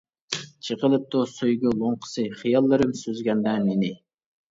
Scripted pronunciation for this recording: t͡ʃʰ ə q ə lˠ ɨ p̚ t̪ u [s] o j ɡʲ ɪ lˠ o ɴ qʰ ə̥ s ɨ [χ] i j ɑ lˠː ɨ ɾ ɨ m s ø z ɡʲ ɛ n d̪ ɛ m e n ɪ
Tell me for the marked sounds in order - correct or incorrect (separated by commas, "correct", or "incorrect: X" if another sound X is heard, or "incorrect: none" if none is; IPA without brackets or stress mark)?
correct, correct